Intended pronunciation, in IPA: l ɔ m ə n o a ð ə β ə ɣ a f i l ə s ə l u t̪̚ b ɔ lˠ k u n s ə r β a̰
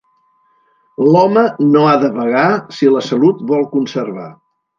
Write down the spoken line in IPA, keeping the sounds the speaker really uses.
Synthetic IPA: l ɔ m ə n o a ð ə β ə ɣ a s i l ə s ə l u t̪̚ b ɔ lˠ k u n s ə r β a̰